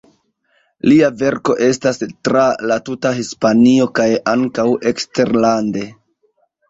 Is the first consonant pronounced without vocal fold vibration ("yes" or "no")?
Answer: no